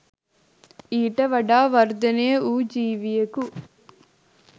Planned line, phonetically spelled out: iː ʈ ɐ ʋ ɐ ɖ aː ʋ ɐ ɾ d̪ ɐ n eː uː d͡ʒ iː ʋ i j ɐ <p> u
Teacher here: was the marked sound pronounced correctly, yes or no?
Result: no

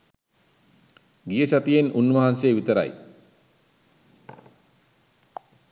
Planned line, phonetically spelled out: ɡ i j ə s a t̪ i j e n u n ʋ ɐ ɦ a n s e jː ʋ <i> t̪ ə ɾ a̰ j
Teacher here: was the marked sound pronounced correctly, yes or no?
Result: yes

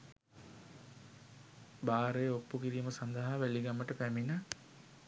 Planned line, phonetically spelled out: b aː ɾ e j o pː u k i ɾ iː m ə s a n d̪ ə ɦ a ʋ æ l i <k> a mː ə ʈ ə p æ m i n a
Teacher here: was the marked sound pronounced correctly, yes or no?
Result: no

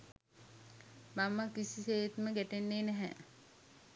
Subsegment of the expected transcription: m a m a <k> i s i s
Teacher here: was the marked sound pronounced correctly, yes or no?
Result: yes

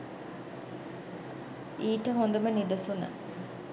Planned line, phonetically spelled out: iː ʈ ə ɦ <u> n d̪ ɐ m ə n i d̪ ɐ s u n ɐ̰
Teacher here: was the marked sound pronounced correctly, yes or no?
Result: no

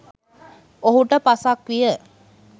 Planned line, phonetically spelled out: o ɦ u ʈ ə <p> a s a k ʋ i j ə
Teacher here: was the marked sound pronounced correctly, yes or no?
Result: yes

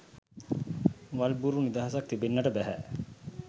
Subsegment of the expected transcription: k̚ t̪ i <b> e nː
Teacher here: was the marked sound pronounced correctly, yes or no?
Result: yes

